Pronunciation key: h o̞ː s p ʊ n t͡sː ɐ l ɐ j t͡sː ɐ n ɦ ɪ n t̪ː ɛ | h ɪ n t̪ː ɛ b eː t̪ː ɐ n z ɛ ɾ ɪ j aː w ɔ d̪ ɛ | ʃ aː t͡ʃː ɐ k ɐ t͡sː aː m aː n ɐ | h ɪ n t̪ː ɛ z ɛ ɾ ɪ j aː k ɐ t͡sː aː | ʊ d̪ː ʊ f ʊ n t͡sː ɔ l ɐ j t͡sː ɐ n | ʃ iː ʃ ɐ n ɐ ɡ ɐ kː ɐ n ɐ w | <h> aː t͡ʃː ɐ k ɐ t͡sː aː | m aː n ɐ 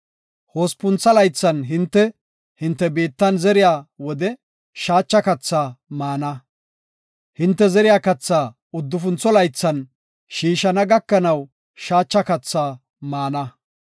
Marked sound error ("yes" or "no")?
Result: yes